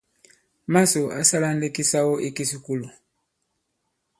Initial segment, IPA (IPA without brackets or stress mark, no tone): m